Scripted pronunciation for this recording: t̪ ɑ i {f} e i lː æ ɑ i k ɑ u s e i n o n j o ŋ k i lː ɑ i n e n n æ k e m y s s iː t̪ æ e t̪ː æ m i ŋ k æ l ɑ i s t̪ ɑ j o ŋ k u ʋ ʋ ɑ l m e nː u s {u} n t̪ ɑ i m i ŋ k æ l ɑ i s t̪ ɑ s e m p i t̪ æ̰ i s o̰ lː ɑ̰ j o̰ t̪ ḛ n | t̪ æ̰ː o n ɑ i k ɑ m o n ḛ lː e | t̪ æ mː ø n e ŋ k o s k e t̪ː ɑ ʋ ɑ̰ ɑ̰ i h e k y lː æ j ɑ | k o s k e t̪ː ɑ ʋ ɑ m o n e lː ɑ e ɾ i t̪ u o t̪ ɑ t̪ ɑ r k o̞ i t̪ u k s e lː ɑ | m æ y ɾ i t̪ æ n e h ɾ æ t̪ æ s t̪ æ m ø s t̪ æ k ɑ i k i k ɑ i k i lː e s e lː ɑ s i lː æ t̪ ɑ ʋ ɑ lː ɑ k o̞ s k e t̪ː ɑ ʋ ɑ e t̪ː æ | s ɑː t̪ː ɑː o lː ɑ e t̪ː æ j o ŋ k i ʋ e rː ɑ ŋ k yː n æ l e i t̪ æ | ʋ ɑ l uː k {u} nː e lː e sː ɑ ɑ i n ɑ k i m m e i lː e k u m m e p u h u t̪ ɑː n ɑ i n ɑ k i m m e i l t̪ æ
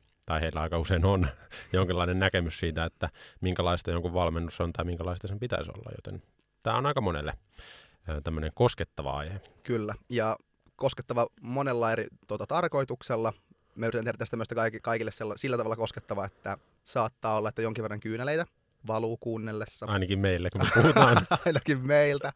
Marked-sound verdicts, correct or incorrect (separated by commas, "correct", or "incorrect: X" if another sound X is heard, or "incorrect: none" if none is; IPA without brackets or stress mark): incorrect: h, incorrect: o, incorrect: uː